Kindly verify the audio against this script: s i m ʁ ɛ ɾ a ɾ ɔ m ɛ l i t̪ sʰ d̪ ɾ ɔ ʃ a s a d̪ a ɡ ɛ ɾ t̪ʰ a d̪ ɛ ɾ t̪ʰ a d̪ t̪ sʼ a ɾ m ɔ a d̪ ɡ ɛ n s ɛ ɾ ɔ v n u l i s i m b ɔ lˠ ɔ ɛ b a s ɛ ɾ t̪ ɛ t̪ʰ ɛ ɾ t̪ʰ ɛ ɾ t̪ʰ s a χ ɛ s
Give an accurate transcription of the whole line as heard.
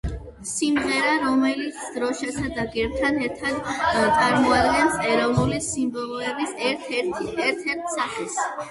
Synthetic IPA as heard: s i m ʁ ɛ ɾ a ɾ ɔ m ɛ l i t̪ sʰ d̪ ɾ ɔ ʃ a s a d̪ a ɡ ɛ ɾ t̪ʰ a d̪ ɛ ɾ t̪ʰ a d̪ t̪ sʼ a ɾ m ɔ a d̪ ɡ ɛ n s ɛ ɾ ɔ v n u l i s i m b ɔ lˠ ɔ ɛ b i s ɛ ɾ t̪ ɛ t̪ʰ ɛ ɾ t̪ʰ ɛ ɾ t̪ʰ s a χ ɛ s